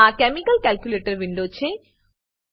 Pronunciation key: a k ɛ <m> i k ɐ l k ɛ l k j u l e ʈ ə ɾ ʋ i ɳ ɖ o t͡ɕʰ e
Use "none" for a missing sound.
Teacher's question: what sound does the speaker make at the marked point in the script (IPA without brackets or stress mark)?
m